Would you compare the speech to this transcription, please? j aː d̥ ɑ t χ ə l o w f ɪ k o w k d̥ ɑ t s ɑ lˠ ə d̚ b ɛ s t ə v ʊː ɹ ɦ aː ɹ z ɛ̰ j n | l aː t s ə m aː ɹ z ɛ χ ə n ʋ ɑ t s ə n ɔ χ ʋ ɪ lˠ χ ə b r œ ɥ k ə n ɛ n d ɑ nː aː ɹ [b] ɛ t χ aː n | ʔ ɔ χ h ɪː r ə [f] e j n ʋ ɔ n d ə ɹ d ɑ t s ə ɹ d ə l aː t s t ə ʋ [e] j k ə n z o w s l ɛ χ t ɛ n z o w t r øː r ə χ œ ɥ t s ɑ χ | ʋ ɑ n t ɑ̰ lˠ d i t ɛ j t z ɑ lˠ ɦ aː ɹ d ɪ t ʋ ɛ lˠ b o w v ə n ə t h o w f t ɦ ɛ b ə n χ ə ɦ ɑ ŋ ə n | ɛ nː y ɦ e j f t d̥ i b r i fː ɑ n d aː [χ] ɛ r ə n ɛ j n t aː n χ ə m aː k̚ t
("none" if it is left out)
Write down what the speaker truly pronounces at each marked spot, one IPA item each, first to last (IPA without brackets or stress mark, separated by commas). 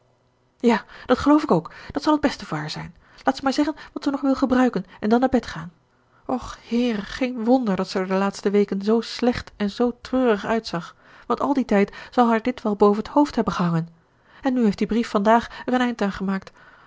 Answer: b, χ, e, χ